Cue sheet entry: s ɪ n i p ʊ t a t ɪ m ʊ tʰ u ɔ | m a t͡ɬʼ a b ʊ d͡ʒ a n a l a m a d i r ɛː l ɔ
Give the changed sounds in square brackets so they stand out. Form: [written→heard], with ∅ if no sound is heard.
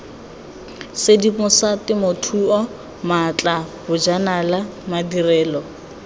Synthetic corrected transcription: s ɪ [n→d] i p ʊ [t→s] a t ɪ m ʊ tʰ u ɔ | m a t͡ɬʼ a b ʊ d͡ʒ a n a l a m a d i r ɛː l ɔ

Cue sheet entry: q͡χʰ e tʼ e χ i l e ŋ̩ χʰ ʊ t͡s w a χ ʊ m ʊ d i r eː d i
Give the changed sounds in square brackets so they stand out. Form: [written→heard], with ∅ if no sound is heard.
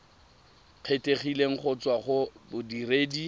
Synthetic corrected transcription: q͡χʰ e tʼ e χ i l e ŋ̩ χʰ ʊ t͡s w a χ ʊ [m→b] ʊ d i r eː d i

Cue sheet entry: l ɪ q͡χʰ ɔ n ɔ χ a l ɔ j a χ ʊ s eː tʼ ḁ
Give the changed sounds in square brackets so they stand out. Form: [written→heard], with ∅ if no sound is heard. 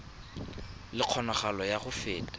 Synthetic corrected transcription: l ɪ q͡χʰ ɔ n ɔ χ a l ɔ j a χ ʊ [s→f] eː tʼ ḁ

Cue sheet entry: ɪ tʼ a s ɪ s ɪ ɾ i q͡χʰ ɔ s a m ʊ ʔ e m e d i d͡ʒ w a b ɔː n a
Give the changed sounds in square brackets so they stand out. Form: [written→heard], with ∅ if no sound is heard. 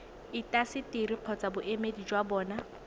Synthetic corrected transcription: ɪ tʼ a s ɪ [s→t] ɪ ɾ i q͡χʰ ɔ [s→t͡s] a [m→b] ʊ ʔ e m e d i d͡ʒ w a b ɔː n a

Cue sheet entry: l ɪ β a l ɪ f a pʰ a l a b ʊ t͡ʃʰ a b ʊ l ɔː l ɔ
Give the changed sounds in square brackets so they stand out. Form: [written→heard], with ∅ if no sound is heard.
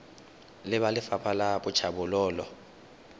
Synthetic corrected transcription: l ɪ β a l ɪ f a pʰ a l a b ʊ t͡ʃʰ a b ʊ l ɔː l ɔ

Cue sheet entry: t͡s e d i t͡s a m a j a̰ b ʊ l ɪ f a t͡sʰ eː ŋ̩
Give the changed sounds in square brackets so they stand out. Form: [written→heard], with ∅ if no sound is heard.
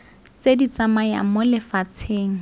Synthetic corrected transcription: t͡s e d i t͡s a m a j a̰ [b→m] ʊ l ɪ f a t͡sʰ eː ŋ̩

